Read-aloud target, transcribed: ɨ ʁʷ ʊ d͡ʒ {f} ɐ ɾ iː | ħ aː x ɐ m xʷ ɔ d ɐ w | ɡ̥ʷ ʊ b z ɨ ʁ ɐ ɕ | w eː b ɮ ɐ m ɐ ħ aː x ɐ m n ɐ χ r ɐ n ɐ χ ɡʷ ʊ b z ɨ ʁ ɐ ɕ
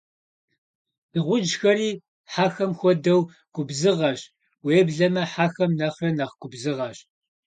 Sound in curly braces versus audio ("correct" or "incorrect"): incorrect